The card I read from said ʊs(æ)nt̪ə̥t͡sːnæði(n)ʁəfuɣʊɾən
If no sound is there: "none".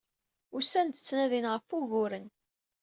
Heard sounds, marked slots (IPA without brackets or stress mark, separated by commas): æ, n